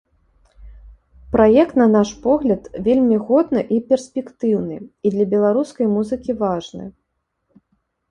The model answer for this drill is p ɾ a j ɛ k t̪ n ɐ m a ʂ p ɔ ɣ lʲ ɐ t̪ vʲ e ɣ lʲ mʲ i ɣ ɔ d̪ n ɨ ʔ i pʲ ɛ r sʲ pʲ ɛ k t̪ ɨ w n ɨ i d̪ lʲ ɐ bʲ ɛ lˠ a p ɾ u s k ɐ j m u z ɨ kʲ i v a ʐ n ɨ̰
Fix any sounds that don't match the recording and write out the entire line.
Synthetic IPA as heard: p ɾ a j ɛ k t̪ n ɐ n a ʂ p ɔ ɣ lʲ ɐ t̪ vʲ e lʲ mʲ i ɣ ɔ d̪ n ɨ ʔ i pʲ ɛ r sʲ pʲ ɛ k t̪ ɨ w n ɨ i d̪ lʲ ɐ bʲ ɛ lˠ a ɾ u s k ɐ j m u z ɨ kʲ i v a ʐ n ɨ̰